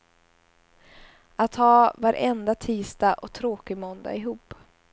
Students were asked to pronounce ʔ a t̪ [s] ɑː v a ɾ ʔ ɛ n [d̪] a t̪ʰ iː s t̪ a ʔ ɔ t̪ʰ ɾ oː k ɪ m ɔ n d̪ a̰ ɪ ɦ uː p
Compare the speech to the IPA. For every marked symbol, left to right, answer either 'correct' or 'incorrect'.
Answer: incorrect: h, correct

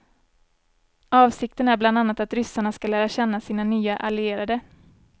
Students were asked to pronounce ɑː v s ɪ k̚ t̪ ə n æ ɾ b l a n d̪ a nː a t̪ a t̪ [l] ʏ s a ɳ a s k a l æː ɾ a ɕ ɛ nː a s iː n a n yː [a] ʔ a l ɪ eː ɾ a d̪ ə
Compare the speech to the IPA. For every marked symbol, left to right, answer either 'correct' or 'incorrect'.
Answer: incorrect: ɾ, correct

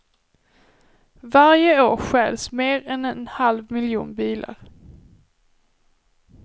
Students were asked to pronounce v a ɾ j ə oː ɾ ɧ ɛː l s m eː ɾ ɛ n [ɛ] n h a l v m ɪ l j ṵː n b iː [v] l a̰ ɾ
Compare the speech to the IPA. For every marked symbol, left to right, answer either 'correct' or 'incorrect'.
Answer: correct, incorrect: none

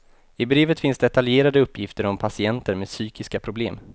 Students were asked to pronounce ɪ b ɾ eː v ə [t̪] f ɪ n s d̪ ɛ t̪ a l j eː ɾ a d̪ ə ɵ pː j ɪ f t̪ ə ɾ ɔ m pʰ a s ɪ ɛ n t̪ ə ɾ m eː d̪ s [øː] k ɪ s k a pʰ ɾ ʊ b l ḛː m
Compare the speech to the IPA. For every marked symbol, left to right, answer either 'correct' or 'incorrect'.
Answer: correct, incorrect: yː

